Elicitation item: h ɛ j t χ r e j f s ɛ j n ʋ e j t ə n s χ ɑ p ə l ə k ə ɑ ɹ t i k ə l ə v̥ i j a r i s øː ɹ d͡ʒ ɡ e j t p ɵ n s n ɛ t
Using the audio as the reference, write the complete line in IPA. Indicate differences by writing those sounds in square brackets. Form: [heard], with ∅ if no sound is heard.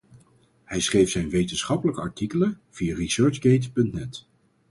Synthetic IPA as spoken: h ɛ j [s] χ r e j f s ɛ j n ʋ e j t ə n s χ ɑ p ə l ə k ə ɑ ɹ t i k ə l ə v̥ i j a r i s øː ɹ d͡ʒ ɡ e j t p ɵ n [t] n ɛ t